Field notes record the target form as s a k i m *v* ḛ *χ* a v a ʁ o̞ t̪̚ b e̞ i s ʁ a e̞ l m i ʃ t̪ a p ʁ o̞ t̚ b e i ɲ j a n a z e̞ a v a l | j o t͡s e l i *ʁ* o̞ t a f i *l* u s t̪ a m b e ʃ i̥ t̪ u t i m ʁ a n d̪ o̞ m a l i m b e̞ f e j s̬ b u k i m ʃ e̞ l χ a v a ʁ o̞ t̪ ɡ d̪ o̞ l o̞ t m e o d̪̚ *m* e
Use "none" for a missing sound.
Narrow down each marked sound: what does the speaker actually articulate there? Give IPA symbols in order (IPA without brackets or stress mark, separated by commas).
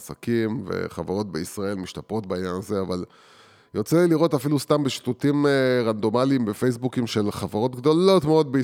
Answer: v, χ, ʁ, l, b